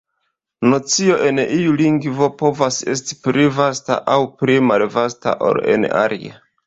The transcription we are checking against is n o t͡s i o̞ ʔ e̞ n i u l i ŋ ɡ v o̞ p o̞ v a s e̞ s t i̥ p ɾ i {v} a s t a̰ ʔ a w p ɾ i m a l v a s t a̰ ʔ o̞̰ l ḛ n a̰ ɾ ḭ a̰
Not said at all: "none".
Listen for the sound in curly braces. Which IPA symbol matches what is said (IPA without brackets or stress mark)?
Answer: v